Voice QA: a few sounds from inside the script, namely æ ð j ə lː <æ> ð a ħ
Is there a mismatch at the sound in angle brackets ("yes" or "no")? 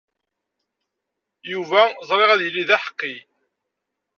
yes